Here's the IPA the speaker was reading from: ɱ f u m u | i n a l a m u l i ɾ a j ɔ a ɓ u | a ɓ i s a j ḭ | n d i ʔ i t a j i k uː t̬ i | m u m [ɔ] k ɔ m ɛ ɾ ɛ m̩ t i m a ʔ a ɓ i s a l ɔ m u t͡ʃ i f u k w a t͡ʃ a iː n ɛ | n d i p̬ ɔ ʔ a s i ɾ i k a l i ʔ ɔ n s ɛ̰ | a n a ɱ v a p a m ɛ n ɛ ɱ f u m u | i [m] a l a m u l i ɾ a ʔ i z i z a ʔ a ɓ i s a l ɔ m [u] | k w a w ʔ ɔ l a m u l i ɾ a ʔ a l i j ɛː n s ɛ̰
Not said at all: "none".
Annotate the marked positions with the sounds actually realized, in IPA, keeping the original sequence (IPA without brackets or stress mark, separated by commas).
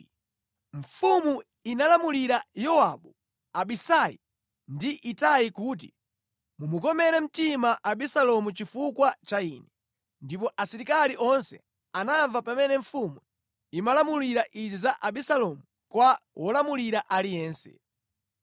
u, m, u